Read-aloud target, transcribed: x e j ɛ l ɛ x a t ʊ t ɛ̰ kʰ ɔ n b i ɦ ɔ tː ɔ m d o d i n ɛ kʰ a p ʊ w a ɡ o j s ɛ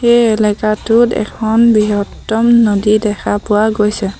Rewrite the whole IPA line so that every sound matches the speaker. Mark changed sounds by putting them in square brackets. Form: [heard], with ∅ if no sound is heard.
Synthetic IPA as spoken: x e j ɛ l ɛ [k] a t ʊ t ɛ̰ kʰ ɔ n b i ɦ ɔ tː ɔ m [n] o d i [d] ɛ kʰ a p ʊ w a ɡ o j s ɛ